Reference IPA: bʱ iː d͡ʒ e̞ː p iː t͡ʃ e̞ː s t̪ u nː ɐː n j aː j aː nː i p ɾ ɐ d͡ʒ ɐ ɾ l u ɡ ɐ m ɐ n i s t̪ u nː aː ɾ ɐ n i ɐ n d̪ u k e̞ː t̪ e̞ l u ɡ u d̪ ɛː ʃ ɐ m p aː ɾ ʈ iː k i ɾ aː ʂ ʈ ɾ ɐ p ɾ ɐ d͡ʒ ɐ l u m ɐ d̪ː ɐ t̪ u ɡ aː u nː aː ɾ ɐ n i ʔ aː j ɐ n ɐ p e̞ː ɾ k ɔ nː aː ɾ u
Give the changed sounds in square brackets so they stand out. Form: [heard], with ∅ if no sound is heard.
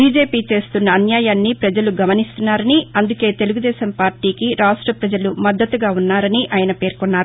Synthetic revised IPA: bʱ iː d͡ʒ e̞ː p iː t͡ʃ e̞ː s t̪ u nː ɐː n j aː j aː nː i p ɾ ɐ d͡ʒ ɐ [∅] l u ɡ ɐ m ɐ n i s t̪ u nː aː ɾ ɐ n i ɐ n d̪ u k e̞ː t̪ e̞ l u ɡ u d̪ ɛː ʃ ɐ m p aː ɾ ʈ iː k i ɾ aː ʂ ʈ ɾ ɐ p ɾ ɐ d͡ʒ ɐ l u m ɐ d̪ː ɐ t̪ u ɡ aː u nː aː ɾ ɐ n i ʔ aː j ɐ n ɐ p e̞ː ɾ k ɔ nː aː ɾ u